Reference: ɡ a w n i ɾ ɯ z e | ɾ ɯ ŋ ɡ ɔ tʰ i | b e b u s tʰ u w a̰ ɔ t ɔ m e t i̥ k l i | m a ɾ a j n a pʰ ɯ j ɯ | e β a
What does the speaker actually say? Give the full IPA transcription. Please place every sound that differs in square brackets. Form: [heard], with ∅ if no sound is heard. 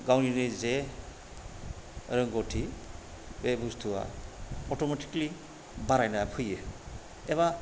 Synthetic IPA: ɡ a w n i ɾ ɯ z e | ɾ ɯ ŋ ɡ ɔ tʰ i | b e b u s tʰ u w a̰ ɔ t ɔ m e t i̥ k l i | [b] a ɾ a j n a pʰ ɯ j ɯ | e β a